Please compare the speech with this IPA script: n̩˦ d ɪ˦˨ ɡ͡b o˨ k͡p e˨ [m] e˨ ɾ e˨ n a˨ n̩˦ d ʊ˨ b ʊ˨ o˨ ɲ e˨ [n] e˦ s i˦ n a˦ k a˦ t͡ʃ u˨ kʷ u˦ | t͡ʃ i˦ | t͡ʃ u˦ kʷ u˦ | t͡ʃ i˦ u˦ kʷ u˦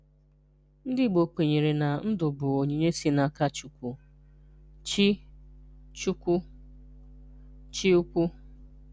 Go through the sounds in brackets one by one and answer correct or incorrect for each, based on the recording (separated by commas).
incorrect, incorrect